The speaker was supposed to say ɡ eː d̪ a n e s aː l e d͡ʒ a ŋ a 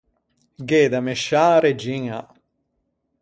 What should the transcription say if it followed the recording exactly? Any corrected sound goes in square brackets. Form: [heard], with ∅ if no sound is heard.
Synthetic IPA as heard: ɡ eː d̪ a [m] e [ʃ] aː [ɾ] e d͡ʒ [i] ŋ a